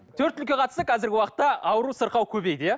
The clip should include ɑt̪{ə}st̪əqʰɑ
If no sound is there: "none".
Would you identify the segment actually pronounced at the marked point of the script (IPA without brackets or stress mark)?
ə